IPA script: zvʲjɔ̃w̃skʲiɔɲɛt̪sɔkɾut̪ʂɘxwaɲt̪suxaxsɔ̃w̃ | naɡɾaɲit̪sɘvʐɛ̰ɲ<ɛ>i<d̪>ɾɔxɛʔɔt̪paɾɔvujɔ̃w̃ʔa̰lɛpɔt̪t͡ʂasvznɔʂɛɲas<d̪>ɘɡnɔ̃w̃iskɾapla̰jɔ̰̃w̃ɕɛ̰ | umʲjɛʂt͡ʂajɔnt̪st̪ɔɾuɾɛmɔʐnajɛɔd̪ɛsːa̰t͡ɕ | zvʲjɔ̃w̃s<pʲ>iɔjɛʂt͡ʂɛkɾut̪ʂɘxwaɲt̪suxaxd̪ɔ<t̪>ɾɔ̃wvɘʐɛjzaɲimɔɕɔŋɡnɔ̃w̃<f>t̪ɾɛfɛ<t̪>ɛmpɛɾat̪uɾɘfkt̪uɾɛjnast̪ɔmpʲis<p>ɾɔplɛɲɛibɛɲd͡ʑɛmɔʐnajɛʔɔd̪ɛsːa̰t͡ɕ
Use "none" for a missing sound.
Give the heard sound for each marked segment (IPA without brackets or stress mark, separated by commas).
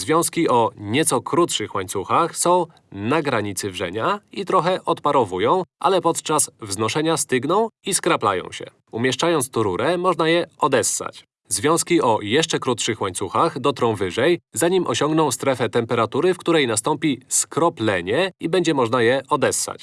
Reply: a, t̪, t̪, kʲ, t̪, s, t̪, k